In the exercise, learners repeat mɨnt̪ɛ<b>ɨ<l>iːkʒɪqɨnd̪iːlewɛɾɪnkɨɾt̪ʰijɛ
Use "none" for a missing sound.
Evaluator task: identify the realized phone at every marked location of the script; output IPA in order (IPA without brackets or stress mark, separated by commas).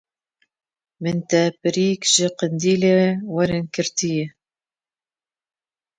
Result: p, ɾ